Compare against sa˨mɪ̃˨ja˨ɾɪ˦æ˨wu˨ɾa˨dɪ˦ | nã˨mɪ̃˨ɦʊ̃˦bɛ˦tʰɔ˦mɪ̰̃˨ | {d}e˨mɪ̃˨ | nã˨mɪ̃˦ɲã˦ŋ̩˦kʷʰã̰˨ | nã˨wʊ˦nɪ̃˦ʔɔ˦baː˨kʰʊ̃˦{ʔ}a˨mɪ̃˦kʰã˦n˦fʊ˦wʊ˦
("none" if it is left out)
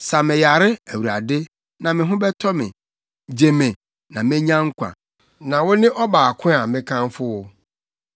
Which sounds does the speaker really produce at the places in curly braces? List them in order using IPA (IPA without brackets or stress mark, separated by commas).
d͡ʑ, none